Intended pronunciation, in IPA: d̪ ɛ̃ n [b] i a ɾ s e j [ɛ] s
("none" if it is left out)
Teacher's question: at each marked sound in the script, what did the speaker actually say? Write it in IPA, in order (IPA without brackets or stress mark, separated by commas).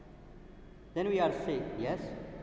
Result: w, ɛ